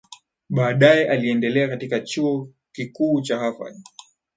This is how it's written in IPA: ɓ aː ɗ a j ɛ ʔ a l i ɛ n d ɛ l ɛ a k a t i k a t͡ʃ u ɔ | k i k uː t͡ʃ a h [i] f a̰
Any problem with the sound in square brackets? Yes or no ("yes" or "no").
yes